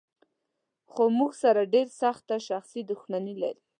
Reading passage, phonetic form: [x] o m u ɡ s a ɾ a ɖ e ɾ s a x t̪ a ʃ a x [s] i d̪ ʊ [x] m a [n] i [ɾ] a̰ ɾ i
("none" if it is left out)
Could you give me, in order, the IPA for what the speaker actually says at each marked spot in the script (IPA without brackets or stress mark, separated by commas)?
x, s, x, n, l